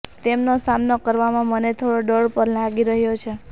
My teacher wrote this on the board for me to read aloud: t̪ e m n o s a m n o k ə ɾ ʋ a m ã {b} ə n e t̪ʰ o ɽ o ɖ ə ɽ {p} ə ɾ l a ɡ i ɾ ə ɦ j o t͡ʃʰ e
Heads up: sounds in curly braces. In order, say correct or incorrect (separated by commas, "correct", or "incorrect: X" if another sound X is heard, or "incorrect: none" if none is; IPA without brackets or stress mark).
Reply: incorrect: m, correct